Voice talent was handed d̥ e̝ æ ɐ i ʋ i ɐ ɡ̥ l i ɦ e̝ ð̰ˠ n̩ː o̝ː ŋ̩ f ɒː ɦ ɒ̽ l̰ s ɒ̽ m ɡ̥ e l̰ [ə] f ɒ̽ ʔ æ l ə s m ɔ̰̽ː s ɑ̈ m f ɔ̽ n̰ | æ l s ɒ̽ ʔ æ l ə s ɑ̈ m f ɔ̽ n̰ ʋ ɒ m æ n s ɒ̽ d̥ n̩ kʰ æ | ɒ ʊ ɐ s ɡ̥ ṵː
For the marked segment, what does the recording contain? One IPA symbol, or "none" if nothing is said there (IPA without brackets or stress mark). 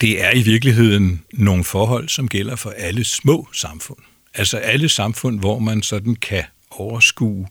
ɐ